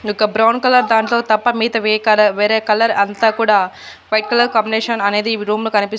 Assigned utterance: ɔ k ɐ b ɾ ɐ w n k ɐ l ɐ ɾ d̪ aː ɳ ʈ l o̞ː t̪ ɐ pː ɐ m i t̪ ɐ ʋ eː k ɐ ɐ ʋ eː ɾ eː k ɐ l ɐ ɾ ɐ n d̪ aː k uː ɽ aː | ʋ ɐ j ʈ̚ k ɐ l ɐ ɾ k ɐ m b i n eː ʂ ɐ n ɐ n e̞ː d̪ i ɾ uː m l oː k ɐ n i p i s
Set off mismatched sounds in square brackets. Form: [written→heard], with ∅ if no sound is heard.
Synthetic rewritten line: ɔ k ɐ b ɾ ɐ w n k ɐ l ɐ ɾ d̪ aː ɳ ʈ l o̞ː t̪ ɐ pː ɐ m [i→iː] t̪ ɐ ʋ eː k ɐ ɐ ʋ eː ɾ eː k ɐ l ɐ ɾ ɐ n [d̪→t̪] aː k uː ɽ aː | ʋ ɐ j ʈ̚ k ɐ l ɐ ɾ k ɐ m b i n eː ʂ ɐ n ɐ n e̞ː d̪ i ɾ uː m l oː k ɐ n i p i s